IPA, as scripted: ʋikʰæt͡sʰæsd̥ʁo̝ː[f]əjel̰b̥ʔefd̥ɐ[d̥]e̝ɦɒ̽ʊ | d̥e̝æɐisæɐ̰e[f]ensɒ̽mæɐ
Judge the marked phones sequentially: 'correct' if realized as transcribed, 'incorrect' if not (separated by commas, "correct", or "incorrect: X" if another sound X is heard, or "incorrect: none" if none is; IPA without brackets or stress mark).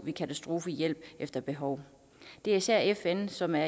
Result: correct, incorrect: b̥, correct